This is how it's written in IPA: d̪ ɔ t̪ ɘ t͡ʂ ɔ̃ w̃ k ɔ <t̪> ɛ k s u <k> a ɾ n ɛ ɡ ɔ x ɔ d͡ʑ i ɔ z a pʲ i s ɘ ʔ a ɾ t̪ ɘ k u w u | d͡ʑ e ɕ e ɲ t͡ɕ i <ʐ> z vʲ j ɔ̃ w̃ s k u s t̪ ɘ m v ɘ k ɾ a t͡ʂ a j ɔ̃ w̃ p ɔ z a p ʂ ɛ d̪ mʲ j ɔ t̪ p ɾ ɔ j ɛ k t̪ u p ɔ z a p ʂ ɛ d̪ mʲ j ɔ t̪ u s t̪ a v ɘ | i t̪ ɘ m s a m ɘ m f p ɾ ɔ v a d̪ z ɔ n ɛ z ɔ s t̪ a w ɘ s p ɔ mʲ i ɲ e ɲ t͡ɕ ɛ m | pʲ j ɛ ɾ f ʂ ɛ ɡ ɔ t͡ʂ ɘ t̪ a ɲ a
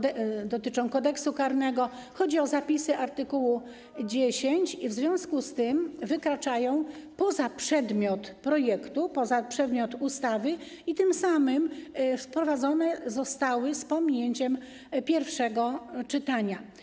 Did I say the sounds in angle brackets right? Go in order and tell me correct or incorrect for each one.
incorrect: d̪, correct, incorrect: v

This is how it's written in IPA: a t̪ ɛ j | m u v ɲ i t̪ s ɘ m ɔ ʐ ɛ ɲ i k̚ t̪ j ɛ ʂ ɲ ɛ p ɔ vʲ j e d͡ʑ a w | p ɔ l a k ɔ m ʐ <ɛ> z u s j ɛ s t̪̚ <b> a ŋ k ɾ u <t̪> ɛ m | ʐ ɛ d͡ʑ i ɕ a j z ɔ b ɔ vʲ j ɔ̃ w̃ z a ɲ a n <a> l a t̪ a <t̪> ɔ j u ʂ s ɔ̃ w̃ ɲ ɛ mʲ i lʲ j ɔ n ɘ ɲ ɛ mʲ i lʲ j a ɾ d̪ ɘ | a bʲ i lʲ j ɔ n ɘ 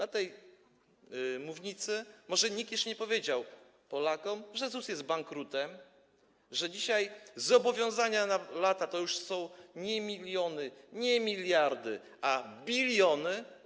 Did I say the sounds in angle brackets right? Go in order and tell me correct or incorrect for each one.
correct, correct, correct, correct, correct

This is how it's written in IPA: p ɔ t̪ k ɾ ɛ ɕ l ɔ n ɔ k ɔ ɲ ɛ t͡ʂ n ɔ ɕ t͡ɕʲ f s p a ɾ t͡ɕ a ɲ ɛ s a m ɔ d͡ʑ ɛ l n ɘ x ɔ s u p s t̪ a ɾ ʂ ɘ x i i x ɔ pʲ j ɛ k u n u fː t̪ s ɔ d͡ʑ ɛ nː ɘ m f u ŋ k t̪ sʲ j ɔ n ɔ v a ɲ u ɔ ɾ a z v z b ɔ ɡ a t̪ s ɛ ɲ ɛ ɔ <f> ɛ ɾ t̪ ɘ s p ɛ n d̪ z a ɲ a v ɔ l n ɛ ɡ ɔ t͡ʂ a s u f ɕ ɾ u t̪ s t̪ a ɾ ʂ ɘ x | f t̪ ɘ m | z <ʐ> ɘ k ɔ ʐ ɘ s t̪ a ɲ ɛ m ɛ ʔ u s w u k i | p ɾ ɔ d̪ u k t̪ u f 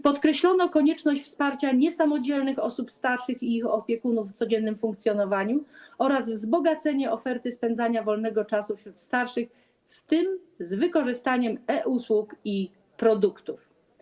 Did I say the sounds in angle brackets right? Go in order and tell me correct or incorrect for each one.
correct, incorrect: v

